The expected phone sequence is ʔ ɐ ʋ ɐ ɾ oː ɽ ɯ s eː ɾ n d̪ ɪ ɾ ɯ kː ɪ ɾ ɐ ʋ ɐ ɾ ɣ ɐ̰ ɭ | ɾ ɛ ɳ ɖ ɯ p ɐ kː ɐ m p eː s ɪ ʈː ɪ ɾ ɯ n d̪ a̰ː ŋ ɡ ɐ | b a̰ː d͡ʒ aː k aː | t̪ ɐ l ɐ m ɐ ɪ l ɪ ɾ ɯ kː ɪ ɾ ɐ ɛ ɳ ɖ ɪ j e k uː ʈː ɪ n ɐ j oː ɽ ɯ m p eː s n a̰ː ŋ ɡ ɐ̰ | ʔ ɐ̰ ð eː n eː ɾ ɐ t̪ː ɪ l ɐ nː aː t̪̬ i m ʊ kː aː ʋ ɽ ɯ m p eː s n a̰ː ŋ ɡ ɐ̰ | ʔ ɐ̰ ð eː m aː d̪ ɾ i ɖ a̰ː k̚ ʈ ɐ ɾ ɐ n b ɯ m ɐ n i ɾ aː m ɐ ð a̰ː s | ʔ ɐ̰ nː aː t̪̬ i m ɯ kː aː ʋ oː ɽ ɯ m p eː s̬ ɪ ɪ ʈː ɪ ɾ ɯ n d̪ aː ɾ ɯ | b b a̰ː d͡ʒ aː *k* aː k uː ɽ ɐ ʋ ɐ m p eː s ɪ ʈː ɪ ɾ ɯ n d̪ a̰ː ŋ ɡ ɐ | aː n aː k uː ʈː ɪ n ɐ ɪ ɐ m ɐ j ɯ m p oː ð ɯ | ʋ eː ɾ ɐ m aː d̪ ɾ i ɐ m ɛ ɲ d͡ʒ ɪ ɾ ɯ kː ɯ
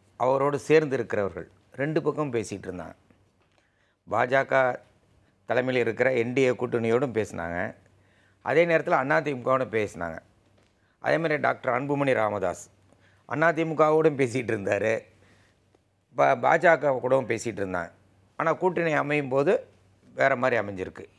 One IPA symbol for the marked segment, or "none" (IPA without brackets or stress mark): k